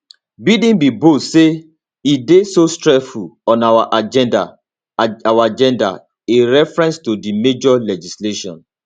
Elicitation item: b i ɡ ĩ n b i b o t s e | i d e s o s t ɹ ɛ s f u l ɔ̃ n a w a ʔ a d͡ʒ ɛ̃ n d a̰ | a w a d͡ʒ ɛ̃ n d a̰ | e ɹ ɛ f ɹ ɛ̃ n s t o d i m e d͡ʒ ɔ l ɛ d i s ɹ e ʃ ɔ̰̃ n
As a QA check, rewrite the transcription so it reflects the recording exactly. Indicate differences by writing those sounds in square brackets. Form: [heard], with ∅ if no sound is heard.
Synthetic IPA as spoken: b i [d] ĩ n b i b o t s e | i d e s o s t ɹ ɛ s f u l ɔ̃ n a w a ʔ a d͡ʒ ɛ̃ n d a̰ | a w a d͡ʒ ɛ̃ n d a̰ | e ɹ ɛ f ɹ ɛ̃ n s t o d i m e d͡ʒ ɔ l ɛ [d͡ʒ] i s [l] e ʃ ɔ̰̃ n